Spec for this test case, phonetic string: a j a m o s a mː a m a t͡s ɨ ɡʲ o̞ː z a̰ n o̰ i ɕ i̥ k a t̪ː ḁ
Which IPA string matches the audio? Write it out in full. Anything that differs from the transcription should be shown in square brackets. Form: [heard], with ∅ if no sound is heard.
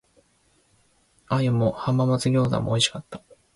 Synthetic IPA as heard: a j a m o [h] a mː a m a t͡s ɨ ɡʲ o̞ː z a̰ [m] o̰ i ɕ i̥ k a t̪ː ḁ